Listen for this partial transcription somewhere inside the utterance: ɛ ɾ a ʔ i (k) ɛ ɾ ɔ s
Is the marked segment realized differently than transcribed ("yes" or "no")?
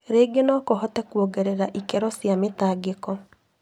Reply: no